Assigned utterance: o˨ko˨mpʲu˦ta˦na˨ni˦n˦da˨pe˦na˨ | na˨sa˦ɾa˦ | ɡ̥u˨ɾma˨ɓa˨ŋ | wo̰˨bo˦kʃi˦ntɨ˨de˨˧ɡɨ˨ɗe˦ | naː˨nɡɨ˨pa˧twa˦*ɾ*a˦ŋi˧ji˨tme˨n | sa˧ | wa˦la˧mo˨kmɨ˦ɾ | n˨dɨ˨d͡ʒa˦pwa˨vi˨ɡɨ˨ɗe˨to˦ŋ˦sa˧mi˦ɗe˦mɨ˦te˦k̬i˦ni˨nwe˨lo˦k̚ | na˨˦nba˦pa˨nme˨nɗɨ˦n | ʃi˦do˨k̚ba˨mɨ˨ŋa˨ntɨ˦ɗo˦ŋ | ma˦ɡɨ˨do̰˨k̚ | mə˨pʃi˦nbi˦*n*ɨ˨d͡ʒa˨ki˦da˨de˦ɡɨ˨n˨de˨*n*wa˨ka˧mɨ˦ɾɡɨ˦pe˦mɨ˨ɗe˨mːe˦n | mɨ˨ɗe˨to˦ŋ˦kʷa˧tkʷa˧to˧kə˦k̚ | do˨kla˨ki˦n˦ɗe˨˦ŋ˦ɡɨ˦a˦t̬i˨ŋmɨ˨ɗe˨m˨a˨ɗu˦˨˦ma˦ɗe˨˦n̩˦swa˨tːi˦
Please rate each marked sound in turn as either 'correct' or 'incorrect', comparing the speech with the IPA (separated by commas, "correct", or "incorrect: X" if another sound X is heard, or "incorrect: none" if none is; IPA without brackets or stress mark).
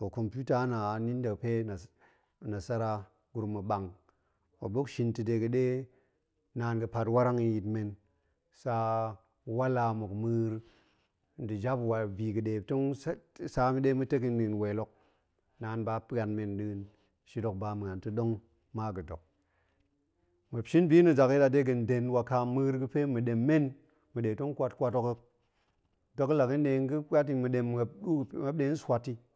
correct, correct, correct